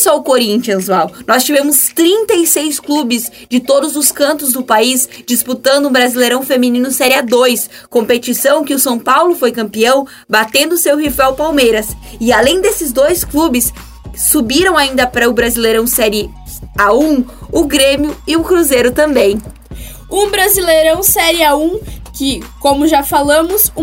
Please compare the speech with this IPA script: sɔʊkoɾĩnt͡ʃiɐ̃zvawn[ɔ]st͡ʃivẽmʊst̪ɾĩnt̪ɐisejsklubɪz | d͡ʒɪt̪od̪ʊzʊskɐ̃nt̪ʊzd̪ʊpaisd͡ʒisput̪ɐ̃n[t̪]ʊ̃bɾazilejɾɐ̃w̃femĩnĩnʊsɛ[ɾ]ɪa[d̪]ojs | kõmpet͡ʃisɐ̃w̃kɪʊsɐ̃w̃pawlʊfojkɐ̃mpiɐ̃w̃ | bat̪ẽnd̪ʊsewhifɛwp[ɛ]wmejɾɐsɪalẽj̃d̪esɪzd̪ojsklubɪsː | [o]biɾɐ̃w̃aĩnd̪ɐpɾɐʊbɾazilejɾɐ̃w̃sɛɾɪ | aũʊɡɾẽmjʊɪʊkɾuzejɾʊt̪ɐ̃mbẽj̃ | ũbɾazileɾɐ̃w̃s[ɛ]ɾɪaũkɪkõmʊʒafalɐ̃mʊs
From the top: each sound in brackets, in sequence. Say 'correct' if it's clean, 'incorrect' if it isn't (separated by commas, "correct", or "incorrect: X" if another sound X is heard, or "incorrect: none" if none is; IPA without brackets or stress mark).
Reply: correct, incorrect: d̪, correct, correct, incorrect: a, incorrect: u, correct